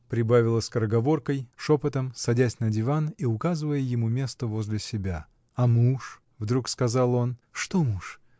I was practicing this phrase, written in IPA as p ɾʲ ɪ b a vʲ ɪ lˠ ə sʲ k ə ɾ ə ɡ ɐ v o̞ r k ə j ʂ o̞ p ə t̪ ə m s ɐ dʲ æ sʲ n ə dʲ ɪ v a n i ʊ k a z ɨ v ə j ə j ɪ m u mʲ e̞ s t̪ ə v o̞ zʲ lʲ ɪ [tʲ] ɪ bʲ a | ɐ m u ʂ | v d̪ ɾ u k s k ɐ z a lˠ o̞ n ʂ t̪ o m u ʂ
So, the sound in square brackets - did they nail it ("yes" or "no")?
no